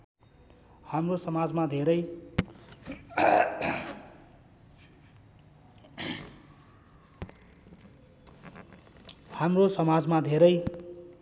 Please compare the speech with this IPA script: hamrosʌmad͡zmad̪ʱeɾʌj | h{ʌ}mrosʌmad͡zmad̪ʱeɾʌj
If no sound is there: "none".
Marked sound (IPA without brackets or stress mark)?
a